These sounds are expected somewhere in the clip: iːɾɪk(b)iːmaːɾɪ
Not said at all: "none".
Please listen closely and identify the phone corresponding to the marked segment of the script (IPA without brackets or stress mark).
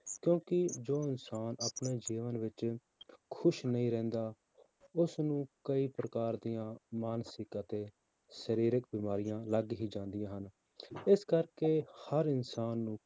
b